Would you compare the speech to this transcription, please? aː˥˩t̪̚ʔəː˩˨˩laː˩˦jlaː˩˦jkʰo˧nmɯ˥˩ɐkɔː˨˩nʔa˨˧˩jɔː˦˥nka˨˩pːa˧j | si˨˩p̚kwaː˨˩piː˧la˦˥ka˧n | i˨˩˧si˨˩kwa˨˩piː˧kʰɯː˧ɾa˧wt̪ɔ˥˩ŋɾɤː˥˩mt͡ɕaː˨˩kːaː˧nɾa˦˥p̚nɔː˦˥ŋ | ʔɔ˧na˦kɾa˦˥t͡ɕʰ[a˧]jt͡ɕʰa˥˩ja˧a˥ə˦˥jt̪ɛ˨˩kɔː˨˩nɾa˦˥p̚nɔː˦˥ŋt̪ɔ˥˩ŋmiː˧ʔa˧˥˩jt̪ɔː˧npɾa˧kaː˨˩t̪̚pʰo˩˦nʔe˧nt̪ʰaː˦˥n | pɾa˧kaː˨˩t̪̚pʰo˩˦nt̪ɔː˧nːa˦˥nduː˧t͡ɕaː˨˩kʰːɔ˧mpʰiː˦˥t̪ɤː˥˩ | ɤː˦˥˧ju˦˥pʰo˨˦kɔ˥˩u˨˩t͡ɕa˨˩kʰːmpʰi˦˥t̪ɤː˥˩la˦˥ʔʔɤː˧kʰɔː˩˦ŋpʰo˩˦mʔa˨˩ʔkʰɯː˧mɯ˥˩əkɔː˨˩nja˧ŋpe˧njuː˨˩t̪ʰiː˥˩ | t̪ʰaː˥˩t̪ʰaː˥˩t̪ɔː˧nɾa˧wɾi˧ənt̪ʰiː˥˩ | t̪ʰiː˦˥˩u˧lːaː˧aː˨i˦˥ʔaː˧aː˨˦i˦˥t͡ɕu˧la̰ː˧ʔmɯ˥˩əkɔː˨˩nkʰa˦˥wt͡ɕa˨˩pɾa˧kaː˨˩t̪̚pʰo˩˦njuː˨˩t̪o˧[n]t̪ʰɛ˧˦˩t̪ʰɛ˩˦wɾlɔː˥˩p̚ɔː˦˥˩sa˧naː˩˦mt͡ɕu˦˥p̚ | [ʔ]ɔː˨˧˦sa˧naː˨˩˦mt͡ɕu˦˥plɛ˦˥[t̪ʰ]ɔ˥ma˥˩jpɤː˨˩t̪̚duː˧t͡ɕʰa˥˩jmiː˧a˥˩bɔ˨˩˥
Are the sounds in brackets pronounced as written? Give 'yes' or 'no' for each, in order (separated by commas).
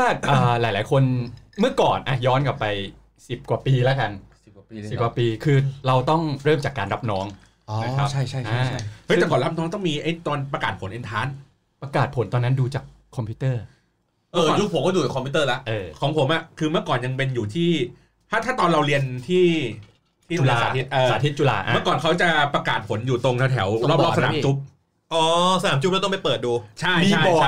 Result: no, no, yes, no